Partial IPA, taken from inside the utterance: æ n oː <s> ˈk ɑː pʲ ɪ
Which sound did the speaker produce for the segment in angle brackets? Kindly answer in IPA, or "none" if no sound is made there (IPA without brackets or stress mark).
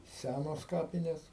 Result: s